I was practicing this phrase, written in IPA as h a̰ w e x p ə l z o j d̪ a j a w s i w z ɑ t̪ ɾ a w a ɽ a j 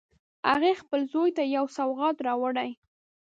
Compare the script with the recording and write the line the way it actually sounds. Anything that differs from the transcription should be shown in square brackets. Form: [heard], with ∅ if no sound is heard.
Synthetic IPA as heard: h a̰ [ɣ] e x p ə l z o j [t̪] a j a w s [a] w [ɣ] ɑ t̪ ɾ [ɑ] w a ɽ a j